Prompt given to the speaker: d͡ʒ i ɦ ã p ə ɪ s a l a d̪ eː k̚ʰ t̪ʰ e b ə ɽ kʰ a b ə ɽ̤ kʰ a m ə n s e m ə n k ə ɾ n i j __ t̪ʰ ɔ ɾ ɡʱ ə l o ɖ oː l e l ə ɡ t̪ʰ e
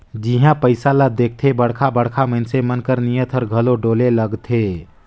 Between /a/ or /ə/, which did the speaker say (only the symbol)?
ə